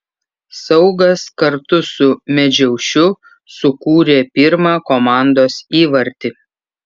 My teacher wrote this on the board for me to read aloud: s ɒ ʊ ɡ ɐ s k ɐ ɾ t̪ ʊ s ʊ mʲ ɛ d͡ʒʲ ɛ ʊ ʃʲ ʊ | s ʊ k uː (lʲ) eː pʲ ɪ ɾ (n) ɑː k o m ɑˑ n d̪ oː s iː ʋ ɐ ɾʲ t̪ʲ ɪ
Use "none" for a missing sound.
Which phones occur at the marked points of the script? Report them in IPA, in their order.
ɾʲ, m

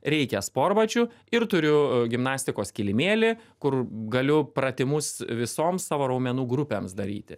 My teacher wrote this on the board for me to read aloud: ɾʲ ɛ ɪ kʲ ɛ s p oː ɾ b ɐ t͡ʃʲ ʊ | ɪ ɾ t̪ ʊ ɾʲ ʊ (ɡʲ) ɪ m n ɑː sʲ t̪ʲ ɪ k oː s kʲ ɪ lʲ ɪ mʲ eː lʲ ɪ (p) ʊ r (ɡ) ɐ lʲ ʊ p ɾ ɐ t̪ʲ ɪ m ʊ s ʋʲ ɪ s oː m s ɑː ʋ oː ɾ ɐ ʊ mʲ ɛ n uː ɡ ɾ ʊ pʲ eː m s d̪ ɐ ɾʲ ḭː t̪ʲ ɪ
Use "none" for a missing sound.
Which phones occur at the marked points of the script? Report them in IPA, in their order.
ɡʲ, k, ɡ

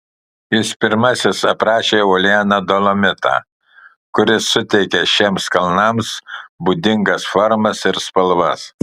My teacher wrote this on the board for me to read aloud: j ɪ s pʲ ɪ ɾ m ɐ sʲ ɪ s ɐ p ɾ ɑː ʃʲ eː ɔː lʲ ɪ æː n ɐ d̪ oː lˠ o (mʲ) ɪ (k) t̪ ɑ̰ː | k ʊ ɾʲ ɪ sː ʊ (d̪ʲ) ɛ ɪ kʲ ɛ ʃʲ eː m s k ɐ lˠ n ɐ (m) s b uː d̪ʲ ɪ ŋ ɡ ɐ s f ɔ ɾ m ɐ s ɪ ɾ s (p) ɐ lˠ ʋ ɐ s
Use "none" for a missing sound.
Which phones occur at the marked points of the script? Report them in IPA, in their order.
mʲ, none, t̪ʲ, m, p

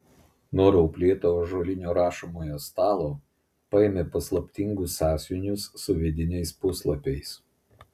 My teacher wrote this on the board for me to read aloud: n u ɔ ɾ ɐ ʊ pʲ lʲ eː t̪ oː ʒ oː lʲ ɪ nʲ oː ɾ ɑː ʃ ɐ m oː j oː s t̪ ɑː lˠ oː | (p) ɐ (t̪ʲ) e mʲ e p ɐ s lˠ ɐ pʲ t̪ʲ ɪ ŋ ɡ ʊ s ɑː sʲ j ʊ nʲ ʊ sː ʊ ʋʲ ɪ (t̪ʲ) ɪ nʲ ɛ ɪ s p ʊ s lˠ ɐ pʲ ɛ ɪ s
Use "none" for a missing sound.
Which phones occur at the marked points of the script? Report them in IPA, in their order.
p, none, d̪ʲ

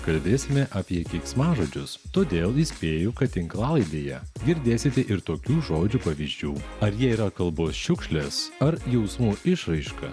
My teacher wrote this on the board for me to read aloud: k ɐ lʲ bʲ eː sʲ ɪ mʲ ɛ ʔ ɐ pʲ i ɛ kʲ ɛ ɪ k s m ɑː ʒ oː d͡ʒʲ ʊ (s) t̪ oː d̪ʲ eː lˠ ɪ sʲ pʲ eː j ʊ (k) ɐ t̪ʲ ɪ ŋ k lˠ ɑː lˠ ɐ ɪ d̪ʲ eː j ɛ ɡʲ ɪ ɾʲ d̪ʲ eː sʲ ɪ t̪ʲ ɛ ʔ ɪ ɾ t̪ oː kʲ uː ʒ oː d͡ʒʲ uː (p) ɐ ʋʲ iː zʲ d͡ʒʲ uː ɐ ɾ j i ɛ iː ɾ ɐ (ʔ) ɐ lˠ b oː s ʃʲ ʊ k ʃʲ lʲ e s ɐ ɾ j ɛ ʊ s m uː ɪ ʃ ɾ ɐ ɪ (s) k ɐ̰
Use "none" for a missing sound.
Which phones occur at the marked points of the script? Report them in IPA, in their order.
s, k, p, k, ʃ

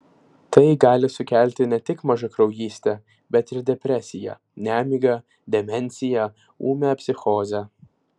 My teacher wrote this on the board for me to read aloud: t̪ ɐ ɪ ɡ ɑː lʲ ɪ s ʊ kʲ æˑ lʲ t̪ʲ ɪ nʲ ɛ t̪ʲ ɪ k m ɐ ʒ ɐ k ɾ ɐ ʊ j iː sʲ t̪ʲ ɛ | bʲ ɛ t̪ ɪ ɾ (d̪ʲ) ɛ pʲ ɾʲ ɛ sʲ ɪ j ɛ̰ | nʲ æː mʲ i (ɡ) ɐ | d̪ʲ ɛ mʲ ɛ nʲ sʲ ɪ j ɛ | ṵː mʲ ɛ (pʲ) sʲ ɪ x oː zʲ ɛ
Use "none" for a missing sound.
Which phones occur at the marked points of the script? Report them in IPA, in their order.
d̪ʲ, ɡ, pʲ

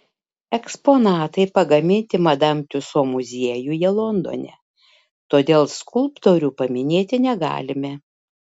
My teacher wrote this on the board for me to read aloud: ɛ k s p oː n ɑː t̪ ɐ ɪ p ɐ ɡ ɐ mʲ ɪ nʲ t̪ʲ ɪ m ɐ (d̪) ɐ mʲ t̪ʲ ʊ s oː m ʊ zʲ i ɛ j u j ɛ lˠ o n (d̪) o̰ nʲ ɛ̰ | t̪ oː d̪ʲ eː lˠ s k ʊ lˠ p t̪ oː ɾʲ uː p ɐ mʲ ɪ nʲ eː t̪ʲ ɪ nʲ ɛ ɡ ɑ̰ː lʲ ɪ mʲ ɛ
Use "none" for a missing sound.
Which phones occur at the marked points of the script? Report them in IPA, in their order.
d̪, d̪

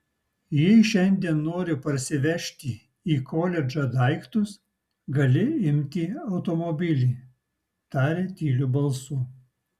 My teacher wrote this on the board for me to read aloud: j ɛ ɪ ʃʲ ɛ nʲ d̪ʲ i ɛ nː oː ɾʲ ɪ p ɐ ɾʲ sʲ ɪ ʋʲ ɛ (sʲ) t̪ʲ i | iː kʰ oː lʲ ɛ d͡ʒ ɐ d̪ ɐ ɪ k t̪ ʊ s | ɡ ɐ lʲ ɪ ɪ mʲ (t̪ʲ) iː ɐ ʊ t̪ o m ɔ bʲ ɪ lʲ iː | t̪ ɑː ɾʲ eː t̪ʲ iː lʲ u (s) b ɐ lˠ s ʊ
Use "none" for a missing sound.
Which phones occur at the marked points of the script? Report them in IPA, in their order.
ʃʲ, t̪ʲ, none

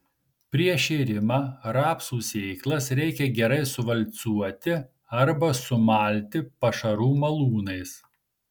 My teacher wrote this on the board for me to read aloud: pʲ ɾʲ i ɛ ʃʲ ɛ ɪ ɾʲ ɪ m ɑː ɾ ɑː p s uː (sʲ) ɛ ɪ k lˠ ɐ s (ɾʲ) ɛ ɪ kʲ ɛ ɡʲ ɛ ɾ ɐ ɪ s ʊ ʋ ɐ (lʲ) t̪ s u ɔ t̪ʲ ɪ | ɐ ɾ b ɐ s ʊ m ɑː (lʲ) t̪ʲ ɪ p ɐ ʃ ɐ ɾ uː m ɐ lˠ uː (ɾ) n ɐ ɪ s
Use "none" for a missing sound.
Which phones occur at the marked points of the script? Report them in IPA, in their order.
sʲ, ɾʲ, lʲ, lʲ, none

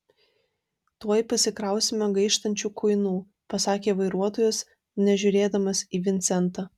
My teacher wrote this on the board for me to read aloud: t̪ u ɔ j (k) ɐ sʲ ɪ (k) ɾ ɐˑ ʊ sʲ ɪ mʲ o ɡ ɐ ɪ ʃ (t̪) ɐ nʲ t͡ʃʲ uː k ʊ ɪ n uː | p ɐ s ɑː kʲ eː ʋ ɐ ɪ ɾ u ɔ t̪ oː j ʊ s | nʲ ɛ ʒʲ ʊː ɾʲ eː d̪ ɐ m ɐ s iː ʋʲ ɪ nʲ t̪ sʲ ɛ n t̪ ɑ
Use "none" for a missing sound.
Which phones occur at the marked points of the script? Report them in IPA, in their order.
p, k, t̪

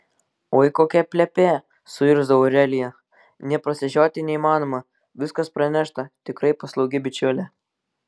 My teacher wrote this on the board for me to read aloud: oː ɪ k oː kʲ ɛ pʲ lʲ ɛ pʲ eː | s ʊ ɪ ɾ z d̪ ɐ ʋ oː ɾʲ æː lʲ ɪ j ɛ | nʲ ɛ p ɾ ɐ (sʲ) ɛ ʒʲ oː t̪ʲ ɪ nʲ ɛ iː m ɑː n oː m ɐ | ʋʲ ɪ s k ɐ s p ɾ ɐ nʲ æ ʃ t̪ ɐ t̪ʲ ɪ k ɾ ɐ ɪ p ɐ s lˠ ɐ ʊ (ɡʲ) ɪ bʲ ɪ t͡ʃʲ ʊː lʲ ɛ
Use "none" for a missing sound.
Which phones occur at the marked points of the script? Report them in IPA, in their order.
sʲ, ɡʲ

